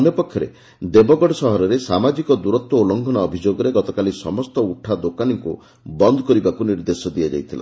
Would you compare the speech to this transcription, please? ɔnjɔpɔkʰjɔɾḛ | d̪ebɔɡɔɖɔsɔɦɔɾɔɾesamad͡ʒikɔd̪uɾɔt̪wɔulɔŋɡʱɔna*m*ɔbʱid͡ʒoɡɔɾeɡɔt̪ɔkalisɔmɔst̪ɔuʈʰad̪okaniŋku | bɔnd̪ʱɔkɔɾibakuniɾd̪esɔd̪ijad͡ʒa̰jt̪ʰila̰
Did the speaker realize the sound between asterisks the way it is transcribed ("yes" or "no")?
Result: no